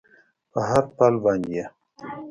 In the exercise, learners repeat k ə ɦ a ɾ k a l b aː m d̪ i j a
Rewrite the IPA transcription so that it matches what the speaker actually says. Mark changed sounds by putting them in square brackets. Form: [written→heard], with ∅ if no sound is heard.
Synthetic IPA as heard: [k→p] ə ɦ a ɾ [k→p] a l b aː [m→n] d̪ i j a